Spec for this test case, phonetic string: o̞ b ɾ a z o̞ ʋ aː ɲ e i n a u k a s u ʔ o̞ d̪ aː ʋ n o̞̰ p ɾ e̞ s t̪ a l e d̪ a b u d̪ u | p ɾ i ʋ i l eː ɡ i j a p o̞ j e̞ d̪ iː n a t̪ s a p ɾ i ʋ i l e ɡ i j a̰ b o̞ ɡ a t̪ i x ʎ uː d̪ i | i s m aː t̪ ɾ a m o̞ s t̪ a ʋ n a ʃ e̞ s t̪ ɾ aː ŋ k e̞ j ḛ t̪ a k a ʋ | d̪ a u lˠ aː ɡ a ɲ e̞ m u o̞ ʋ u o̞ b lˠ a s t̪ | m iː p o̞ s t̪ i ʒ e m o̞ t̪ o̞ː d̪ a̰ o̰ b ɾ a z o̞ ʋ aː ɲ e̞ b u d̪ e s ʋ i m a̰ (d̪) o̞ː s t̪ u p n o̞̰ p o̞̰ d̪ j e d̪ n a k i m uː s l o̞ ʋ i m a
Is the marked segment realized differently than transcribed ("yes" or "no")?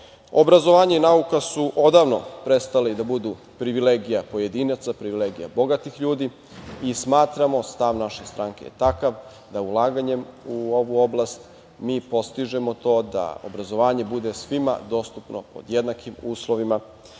no